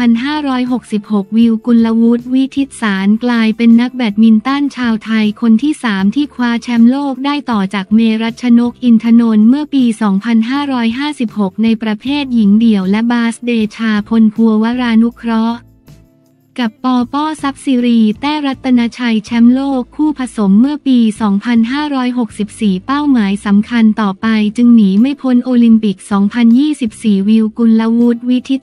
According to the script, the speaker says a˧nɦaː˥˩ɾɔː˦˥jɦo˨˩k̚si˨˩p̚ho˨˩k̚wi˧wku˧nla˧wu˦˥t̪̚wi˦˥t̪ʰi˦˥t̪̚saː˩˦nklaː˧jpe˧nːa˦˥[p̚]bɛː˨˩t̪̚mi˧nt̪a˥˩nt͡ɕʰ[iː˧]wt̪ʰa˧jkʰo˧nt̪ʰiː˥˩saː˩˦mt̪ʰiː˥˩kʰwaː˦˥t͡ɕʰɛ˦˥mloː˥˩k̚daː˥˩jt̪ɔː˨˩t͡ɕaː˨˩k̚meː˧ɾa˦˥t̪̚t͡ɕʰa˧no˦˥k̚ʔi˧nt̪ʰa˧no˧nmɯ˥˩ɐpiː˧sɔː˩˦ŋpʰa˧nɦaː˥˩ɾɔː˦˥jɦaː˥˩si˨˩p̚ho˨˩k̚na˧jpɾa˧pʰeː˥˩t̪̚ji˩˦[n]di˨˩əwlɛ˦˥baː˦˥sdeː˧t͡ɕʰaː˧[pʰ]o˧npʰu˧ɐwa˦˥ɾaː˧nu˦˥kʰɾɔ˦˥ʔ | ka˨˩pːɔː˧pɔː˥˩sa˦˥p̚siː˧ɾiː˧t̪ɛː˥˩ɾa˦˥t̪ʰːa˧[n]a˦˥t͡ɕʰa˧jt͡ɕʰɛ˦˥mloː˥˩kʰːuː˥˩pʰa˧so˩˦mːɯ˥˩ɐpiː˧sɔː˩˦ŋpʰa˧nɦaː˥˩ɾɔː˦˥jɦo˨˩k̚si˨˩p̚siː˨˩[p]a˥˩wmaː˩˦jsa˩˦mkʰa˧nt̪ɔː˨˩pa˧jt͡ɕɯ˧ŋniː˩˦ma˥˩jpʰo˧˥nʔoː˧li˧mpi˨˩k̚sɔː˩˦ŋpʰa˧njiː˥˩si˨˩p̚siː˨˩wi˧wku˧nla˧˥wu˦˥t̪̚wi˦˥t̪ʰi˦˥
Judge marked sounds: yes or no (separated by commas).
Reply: no, no, no, yes, yes, yes